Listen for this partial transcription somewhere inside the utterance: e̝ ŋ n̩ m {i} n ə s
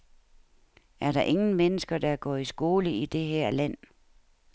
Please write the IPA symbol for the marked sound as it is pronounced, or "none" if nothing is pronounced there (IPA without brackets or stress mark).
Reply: e